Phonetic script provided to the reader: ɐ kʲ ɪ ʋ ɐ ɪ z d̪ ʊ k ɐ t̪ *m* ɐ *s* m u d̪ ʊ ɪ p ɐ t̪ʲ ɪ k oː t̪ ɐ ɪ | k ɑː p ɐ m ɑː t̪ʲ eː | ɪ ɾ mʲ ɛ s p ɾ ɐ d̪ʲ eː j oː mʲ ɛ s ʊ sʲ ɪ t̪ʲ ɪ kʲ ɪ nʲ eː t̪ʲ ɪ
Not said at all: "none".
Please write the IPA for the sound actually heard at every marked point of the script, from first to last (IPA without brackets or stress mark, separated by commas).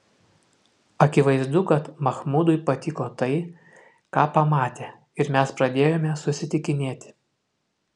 m, x